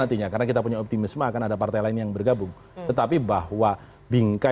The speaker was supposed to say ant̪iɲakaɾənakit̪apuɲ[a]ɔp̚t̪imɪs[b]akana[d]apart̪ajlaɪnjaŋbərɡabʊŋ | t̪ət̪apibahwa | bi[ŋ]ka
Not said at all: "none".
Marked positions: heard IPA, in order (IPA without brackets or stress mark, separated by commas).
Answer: a, m, d, ŋ